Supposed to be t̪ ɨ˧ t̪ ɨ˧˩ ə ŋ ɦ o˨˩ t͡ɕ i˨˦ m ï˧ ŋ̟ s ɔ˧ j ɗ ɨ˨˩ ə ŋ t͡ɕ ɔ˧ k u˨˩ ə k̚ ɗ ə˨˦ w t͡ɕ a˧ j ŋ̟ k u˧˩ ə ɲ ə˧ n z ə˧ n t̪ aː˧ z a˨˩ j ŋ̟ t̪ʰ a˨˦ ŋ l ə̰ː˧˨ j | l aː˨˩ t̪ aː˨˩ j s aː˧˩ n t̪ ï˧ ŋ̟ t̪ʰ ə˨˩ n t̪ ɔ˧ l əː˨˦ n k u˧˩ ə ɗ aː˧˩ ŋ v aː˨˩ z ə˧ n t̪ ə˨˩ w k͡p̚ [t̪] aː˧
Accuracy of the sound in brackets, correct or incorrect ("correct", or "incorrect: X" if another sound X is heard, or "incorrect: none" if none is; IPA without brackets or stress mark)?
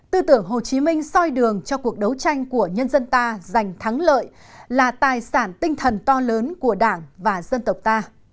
correct